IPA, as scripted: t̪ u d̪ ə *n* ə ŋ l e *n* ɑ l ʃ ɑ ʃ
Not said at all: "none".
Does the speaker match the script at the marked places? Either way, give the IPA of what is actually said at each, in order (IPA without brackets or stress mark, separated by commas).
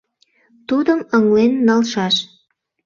m, nː